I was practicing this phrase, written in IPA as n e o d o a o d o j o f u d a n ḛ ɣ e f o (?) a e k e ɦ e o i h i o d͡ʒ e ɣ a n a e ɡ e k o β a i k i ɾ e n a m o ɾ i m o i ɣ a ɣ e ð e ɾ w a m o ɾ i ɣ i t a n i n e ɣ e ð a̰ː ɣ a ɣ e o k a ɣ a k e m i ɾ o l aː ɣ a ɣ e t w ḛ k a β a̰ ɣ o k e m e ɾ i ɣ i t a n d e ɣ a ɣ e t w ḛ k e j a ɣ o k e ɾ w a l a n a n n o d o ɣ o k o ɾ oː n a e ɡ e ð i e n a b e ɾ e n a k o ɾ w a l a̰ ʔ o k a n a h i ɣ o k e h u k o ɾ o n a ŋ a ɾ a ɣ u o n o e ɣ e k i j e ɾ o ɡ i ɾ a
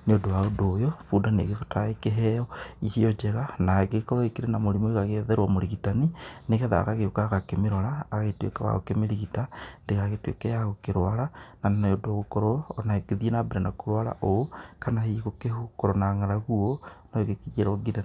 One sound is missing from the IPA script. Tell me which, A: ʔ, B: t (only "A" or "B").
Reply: B